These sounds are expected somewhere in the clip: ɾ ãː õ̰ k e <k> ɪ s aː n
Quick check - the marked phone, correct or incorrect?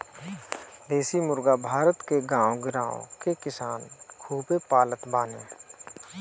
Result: correct